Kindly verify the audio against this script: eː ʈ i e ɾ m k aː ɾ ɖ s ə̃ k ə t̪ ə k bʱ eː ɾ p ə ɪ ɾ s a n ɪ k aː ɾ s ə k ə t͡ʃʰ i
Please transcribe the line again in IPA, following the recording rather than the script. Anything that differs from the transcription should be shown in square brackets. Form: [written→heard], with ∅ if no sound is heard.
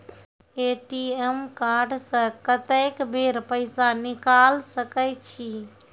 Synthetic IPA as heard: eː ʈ i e [ɾ→∅] m k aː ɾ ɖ s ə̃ k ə t̪ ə k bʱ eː ɾ p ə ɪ [ɾ→∅] s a n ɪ k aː [ɾ→l] s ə k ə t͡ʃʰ i